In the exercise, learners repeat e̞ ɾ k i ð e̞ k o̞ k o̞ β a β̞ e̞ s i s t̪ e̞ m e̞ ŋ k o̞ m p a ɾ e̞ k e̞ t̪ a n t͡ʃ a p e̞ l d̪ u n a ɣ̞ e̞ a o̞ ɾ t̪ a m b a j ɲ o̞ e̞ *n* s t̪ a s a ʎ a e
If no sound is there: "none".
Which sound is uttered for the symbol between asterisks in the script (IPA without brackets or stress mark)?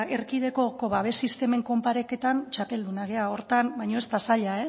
none